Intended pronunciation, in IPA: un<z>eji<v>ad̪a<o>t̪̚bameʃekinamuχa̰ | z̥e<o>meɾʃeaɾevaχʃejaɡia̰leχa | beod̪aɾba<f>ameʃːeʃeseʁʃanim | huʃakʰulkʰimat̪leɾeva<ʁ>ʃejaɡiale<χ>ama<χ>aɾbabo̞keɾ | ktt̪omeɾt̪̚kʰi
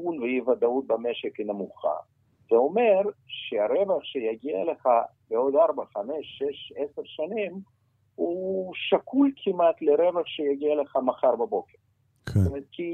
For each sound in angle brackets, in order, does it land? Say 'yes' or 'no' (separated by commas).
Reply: no, yes, no, yes, no, no, yes, yes